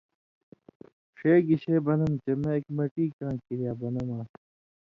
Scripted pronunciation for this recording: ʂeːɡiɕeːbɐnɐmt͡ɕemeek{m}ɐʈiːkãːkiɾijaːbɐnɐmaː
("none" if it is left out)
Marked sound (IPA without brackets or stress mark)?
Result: m